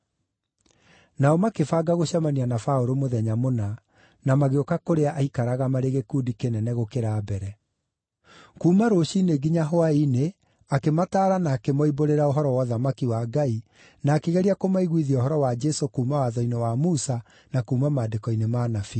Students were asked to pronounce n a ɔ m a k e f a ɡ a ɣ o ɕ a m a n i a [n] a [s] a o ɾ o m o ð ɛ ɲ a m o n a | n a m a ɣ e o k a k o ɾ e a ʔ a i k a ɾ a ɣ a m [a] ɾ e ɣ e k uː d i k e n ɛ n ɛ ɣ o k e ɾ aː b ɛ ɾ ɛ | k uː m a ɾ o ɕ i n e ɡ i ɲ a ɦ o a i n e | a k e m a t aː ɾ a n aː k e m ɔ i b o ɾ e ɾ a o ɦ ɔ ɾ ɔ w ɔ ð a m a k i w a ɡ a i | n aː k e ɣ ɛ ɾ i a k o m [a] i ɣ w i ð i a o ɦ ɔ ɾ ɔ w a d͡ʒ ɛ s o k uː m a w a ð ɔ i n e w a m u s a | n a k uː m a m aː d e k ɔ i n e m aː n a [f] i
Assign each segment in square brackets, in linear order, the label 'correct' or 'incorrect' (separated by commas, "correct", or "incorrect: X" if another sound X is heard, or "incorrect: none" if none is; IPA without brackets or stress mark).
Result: correct, incorrect: f, correct, correct, correct